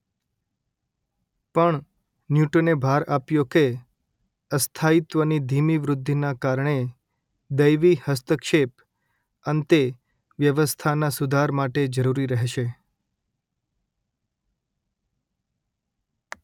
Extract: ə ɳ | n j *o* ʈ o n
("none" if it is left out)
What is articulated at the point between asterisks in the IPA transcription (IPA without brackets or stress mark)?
u